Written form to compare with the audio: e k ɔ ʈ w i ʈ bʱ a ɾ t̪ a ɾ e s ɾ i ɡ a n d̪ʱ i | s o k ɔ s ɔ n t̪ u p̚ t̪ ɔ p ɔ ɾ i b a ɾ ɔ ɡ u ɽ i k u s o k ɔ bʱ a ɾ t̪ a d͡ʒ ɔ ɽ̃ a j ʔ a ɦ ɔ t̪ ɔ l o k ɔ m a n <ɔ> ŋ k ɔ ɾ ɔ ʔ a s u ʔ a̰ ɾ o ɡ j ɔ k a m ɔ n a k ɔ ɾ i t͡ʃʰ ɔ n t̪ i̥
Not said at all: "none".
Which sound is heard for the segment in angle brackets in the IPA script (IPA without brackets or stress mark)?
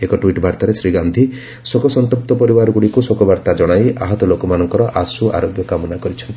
ɔ